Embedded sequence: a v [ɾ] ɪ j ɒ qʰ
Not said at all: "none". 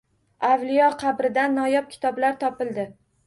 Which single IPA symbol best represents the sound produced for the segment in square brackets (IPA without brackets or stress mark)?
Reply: l